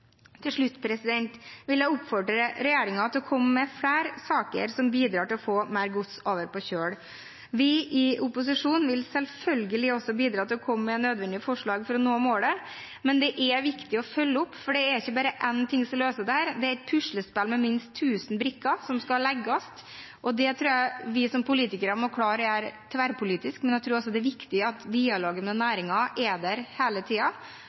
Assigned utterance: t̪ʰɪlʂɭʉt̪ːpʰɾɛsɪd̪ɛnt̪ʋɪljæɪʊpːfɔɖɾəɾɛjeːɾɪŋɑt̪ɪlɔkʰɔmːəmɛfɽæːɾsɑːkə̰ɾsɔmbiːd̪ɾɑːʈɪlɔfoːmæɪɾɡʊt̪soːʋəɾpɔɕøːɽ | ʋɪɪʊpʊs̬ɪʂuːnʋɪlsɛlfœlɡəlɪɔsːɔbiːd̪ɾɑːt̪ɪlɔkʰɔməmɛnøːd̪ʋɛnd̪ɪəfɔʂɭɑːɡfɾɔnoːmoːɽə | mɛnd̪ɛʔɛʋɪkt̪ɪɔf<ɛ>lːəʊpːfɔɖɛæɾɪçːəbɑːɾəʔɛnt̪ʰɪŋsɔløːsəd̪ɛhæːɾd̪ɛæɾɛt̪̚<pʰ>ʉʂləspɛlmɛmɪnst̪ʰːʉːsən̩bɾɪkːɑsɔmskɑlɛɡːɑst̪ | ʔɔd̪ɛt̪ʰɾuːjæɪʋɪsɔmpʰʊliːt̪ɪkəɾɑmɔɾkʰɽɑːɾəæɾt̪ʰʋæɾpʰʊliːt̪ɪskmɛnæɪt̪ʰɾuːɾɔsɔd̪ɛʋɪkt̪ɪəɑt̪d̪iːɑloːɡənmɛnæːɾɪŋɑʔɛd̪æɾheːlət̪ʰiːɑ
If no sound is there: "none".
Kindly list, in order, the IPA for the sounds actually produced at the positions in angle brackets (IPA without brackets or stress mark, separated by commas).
œ, pʰ